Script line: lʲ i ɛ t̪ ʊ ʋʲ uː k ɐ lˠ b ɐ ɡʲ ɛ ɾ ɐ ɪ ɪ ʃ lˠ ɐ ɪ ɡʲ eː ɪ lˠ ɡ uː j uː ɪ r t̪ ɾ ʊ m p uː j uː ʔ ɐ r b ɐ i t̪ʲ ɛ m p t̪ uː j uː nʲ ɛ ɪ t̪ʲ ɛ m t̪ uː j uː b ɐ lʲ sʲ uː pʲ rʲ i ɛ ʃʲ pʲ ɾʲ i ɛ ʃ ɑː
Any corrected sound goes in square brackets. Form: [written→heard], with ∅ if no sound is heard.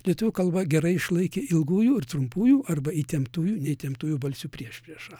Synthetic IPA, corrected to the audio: lʲ i ɛ t̪ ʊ ʋʲ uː k ɐ lˠ b ɐ ɡʲ ɛ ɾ ɐ ɪ ɪ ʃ lˠ ɐ ɪ [ɡʲ→kʲ] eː ɪ lˠ ɡ uː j uː ɪ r t̪ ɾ ʊ m p uː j uː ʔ ɐ r b ɐ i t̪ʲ ɛ m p t̪ uː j uː nʲ ɛ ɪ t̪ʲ ɛ m t̪ uː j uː b ɐ lʲ sʲ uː pʲ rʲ i ɛ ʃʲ pʲ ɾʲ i ɛ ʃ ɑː